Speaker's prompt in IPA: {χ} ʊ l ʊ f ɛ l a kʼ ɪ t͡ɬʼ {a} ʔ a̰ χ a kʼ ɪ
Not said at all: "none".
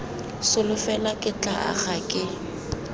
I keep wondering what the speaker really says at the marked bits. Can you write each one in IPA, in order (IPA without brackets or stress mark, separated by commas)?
s, a